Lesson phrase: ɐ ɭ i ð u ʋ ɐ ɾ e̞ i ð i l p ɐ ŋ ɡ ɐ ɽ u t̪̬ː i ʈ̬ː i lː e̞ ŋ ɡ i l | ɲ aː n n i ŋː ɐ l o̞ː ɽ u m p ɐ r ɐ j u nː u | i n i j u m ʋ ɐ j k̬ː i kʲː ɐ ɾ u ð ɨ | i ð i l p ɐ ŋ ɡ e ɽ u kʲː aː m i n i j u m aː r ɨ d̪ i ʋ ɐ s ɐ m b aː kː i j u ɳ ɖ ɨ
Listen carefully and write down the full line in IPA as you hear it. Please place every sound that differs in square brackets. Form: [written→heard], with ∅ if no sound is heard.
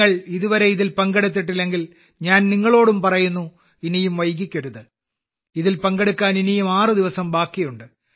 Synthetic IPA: ɐ ɭ i ð u ʋ ɐ ɾ e̞ i ð i l p ɐ ŋ ɡ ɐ ɽ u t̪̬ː i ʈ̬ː i lː e̞ ŋ ɡ i l | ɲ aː n n i ŋː ɐ [l→ɭ] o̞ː ɽ u m p ɐ r ɐ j u nː u | i n i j u m ʋ ɐ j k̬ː i kʲː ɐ ɾ u ð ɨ | i ð i l p ɐ ŋ ɡ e ɽ u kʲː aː [m→n] i n i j u m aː r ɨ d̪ i ʋ ɐ s ɐ m b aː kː i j u ɳ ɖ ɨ